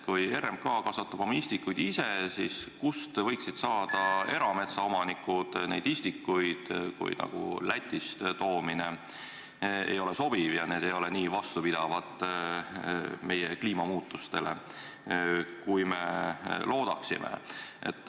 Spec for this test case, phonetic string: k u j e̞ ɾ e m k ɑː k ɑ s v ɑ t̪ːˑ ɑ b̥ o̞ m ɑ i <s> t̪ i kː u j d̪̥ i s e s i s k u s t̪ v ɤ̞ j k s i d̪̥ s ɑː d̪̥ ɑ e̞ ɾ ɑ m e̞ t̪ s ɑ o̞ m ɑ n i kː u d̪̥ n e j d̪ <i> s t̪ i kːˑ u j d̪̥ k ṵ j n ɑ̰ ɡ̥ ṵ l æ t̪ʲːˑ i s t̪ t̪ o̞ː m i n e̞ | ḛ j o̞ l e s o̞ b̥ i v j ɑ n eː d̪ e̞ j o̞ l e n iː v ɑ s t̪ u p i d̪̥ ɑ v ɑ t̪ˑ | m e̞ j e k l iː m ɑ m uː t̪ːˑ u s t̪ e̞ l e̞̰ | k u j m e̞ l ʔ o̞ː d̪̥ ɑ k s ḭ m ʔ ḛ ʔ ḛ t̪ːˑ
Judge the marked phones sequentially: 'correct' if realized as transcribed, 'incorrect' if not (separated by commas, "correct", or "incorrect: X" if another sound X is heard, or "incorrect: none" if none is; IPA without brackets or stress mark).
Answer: correct, correct